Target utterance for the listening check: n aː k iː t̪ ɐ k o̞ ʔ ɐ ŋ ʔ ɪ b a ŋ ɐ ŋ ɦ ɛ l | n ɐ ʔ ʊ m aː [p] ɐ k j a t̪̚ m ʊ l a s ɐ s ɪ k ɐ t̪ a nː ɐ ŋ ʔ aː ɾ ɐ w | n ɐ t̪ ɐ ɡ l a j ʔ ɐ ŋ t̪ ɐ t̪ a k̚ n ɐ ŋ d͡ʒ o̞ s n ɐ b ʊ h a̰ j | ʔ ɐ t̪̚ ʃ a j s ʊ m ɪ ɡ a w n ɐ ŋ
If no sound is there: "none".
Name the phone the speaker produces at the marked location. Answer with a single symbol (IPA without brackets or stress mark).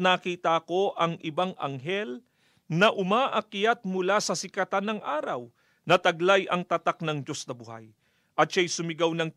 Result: ʔ